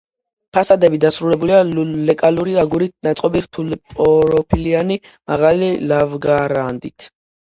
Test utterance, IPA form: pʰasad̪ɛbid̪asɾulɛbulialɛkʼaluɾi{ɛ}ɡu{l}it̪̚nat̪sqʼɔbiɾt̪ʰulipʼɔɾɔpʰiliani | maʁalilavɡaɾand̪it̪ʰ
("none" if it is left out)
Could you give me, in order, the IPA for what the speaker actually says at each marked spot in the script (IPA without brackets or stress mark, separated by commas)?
a, ɾ